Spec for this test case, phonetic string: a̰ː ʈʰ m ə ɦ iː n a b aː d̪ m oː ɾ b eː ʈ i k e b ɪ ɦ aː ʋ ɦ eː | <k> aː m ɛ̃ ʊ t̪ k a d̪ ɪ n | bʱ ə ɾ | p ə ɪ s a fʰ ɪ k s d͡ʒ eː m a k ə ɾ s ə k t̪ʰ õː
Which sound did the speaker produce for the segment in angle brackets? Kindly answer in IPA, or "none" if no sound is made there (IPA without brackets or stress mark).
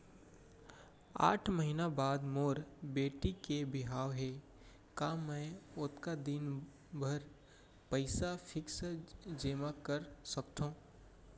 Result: k